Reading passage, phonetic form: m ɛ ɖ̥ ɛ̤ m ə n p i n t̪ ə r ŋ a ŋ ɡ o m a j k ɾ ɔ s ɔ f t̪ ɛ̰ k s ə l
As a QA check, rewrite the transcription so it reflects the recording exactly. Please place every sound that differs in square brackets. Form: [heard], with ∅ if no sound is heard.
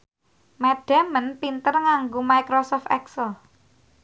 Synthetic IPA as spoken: m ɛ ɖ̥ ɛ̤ m ə n p i n t̪ ə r ŋ a ŋ ɡ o m a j k ɾ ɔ s ɔ f t̪ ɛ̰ k s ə l